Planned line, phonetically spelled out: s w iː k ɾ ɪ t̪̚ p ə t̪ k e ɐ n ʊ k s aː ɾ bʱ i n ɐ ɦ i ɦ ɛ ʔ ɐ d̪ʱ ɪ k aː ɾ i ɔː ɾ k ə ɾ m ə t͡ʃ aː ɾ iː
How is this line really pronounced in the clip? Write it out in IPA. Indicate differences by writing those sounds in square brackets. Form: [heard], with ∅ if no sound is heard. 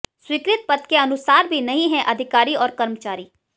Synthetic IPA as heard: s w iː k ɾ ɪ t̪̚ p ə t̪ k e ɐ n ʊ [∅] s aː ɾ bʱ i n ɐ ɦ [ĩ] ɦ ɛ ʔ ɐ d̪ʱ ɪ k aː ɾ i ɔː ɾ k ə ɾ m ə t͡ʃ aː ɾ iː